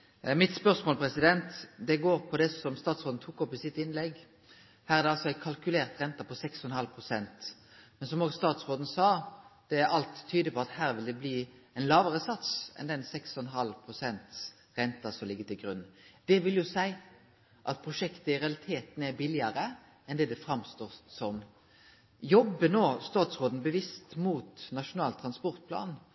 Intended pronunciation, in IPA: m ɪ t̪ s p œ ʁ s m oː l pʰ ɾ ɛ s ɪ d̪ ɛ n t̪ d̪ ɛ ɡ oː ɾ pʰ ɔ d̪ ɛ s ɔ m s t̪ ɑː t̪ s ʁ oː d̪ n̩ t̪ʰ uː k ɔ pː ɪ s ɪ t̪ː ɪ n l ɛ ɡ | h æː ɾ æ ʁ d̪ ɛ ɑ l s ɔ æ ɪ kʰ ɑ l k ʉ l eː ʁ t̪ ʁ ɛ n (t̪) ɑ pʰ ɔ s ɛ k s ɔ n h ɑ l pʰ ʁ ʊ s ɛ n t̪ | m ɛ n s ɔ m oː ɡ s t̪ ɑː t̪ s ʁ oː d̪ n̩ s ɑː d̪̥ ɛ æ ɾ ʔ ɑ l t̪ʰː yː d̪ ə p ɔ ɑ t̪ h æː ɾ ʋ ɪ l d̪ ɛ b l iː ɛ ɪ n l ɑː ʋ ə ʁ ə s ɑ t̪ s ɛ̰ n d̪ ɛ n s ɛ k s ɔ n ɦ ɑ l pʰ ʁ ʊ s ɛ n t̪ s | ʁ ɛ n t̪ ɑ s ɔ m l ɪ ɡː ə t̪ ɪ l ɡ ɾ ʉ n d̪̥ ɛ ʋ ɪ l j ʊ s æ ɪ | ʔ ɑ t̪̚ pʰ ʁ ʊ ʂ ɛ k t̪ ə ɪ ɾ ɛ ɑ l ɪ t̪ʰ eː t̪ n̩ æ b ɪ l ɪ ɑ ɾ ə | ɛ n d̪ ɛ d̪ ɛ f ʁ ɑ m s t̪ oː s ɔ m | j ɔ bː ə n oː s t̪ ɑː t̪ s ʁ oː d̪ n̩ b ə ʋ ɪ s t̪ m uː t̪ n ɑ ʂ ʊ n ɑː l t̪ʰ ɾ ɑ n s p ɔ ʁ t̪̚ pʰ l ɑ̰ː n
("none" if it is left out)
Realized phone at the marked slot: t̪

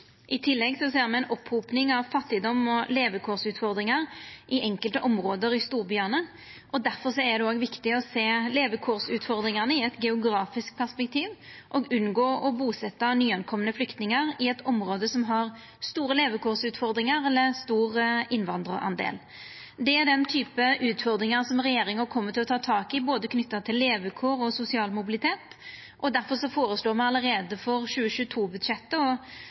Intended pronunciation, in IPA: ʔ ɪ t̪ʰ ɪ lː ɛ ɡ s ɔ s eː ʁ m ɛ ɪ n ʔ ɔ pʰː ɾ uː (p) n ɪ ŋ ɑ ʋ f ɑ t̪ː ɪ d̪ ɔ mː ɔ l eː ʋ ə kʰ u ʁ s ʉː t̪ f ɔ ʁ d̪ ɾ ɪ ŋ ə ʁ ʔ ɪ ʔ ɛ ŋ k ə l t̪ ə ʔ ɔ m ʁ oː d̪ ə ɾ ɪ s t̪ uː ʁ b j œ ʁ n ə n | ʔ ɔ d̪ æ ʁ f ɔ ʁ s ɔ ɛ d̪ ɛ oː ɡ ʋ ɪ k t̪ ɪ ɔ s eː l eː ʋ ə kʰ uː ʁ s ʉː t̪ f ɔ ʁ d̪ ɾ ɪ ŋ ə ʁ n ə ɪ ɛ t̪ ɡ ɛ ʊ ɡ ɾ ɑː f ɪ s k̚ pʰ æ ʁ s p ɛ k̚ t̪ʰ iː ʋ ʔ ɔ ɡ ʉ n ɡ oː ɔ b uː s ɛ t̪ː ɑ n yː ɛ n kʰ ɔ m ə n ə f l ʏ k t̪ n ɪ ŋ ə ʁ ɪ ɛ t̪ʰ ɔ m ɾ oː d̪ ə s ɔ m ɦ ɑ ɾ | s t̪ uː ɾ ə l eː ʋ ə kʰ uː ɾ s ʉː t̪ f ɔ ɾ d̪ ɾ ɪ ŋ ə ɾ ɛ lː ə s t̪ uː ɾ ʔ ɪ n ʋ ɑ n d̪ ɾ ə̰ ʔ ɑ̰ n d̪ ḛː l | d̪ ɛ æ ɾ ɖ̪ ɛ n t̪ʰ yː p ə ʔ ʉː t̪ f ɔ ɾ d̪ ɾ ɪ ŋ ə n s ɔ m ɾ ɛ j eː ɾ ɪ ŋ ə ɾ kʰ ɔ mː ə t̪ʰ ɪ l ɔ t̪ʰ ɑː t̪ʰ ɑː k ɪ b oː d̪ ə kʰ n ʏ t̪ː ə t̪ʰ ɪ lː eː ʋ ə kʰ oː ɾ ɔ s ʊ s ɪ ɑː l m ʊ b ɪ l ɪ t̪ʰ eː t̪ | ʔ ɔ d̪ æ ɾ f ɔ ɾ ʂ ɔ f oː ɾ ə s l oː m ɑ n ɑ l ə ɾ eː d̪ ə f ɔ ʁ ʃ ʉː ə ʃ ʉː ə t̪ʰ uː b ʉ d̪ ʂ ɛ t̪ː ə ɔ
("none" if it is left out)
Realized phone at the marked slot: p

